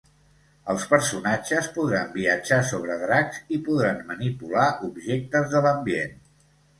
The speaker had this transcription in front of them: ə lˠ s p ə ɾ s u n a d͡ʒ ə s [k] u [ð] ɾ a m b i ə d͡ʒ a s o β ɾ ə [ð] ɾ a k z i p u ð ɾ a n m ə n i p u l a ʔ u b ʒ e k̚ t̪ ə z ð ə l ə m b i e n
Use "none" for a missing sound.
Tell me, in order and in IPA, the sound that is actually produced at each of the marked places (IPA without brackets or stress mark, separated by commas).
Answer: p, ð, ð